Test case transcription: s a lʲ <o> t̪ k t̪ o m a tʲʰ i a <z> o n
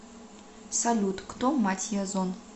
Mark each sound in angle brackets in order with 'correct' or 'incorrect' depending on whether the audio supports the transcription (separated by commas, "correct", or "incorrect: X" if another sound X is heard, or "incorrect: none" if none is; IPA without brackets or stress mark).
incorrect: u, correct